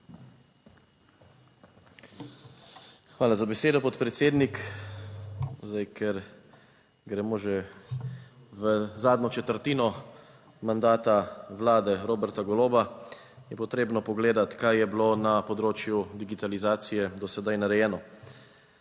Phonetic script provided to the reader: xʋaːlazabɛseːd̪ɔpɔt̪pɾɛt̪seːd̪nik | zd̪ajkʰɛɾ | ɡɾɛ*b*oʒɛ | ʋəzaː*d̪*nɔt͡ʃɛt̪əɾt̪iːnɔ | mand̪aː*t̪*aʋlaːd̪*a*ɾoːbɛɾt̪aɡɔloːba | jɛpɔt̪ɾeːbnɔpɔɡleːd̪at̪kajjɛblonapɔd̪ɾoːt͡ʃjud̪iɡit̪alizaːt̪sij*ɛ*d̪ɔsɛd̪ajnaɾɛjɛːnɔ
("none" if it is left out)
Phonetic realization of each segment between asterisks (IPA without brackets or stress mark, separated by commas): m, d̪, t̪, ɛ, ɛ